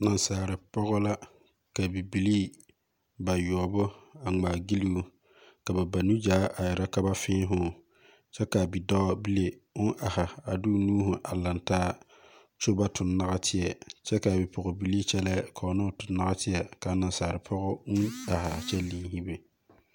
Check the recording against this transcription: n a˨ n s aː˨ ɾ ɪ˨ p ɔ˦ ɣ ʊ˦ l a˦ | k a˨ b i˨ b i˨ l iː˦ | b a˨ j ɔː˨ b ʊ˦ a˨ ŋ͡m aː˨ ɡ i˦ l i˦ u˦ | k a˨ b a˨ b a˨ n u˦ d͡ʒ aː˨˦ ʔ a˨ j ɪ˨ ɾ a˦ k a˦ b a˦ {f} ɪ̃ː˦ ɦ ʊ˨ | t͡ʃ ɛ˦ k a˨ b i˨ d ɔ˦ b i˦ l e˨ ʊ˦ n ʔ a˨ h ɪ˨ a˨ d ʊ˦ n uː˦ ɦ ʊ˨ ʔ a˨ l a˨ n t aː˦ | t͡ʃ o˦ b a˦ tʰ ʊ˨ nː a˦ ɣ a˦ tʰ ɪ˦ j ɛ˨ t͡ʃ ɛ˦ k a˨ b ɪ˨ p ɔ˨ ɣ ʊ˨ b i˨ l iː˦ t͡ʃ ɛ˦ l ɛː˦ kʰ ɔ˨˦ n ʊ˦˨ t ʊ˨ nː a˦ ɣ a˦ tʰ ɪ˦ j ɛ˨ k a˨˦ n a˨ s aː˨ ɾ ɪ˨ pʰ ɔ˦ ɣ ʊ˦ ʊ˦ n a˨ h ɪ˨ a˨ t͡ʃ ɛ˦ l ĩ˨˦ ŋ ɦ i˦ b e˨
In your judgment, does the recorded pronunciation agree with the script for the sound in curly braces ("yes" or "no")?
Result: yes